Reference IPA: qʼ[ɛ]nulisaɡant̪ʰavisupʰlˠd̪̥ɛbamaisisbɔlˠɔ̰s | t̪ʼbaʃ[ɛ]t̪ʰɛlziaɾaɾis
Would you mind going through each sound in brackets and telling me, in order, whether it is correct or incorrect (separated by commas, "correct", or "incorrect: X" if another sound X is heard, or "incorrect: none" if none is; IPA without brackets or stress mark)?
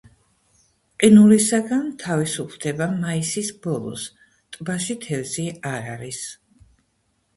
incorrect: i, incorrect: i